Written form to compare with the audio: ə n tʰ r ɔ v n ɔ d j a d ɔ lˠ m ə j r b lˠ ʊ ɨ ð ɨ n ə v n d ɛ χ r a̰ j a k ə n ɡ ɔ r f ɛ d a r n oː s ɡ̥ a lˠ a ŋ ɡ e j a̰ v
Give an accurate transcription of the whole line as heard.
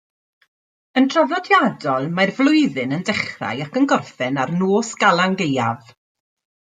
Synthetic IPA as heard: ə n tʰ r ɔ v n ɔ d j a d ɔ lˠ m a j r v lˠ ʊ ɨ ð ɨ n ə n d ɛ χ r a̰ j a k ə n ɡ ɔ r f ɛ n a r n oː s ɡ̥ a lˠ a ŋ ɡ e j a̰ v